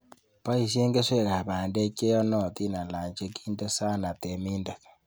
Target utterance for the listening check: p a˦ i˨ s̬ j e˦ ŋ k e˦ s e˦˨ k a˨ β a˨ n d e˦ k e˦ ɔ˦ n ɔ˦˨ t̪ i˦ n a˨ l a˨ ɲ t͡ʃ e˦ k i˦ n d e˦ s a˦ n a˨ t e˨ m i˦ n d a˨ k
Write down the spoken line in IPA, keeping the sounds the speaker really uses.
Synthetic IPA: p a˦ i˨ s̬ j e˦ ŋ ɡ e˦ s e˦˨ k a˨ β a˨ n d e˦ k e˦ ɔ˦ n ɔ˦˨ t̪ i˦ n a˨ l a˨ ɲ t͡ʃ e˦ k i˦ n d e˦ s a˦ n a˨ t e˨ m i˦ n d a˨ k